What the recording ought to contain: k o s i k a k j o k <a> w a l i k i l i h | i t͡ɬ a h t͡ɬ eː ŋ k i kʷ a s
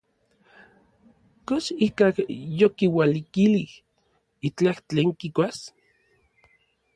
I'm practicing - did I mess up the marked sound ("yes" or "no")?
yes